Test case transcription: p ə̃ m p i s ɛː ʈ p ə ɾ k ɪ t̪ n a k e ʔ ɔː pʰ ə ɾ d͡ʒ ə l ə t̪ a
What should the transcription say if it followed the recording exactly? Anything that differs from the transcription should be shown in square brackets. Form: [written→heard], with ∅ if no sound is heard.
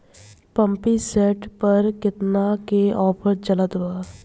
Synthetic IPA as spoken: p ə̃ m p i s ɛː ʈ p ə ɾ k ɪ t̪ n a k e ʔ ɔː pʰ ə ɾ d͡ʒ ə l ə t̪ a